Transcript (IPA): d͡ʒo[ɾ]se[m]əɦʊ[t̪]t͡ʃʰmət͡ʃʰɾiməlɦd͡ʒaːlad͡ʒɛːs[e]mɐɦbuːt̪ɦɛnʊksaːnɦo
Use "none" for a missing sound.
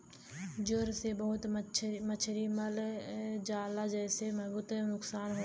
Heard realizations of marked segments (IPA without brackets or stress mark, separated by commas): ɾ, b, t̪, e